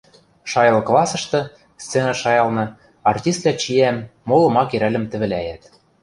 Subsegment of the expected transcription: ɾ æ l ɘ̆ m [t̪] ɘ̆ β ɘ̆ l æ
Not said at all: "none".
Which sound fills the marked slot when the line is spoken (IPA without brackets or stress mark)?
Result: t̪